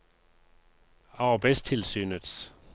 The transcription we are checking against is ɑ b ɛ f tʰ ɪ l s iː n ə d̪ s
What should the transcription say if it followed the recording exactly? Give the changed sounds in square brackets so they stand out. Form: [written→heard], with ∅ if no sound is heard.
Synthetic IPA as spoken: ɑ b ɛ [f→s] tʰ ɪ l s [iː→yː] n ə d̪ s